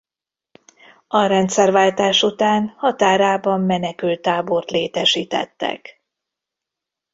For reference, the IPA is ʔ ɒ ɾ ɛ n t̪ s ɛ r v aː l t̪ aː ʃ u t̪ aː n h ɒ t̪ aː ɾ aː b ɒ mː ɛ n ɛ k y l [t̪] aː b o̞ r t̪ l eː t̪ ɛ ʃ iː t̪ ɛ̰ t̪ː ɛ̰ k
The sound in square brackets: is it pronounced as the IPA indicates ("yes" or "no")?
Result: yes